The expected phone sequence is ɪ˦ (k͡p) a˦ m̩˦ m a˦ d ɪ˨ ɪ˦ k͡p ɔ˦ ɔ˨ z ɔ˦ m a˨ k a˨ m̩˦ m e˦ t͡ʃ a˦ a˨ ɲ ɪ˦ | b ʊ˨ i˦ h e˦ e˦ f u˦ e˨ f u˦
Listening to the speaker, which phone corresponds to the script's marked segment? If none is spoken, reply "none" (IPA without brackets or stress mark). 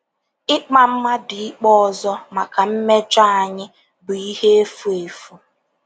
k͡p